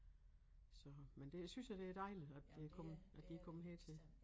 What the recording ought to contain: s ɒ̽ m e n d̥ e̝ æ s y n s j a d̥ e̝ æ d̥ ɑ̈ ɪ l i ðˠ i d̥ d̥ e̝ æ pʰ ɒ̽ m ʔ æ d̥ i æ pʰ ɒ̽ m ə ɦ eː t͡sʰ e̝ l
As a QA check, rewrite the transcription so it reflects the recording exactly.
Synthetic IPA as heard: s ɒ̽ m e n d̥ e̝ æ s y n s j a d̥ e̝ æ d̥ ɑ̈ ɪ l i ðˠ æ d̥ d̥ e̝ æ kʰ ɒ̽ m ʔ æ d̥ i æ kʰ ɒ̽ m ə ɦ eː t͡sʰ e̝ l